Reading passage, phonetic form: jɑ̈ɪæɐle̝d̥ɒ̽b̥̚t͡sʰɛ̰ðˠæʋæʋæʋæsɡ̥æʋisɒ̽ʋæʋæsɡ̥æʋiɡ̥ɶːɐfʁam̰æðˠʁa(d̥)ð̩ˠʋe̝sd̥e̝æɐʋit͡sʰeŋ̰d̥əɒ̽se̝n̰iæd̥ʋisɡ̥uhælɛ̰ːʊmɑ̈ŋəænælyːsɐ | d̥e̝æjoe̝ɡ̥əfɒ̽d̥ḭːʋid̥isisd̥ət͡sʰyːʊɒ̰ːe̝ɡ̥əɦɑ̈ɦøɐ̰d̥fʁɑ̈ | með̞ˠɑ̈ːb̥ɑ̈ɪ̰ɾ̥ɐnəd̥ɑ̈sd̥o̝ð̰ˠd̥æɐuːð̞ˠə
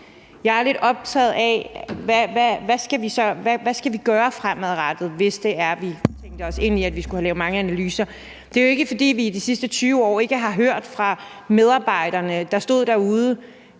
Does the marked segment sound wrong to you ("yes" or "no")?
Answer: no